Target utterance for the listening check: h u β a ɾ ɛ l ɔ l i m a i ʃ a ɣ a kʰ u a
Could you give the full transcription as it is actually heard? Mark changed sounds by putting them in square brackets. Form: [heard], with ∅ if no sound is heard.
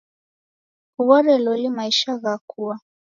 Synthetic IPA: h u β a ɾ ɛ l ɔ l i m a i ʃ a ɣ a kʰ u a